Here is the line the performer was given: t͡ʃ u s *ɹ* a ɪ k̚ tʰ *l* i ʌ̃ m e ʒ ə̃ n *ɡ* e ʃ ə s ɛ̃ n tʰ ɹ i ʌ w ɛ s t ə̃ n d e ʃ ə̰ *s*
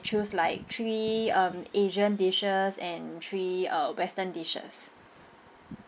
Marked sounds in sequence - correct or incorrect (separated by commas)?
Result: incorrect, incorrect, incorrect, correct